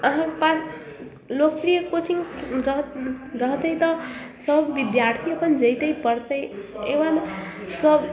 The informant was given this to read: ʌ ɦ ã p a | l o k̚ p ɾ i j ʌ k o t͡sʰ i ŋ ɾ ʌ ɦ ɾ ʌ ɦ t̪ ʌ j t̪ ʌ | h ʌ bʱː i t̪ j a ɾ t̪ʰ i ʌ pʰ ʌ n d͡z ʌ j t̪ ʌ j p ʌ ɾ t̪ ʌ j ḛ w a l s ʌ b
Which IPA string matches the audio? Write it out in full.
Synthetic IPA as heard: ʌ ɦ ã p a | l o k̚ p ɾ i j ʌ k o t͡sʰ i ŋ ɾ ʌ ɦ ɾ ʌ ɦ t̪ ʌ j t̪ ʌ | s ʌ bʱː i d̪ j a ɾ t̪ʰ i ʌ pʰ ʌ n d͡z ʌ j t̪ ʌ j p ʌ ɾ t̪ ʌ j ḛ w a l s ʌ b